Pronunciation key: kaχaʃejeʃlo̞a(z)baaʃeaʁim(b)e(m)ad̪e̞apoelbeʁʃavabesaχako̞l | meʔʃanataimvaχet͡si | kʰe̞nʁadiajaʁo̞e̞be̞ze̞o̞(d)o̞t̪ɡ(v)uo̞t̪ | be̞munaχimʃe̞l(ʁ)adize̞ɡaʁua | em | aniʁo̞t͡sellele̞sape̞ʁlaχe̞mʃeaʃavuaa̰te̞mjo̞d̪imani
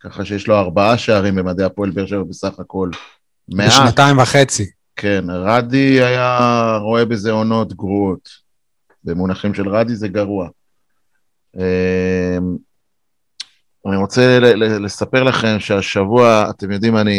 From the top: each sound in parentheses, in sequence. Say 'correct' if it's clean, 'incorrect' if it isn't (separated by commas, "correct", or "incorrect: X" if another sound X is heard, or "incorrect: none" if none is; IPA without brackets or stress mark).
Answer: incorrect: ʁ, correct, correct, incorrect: n, incorrect: ʁ, correct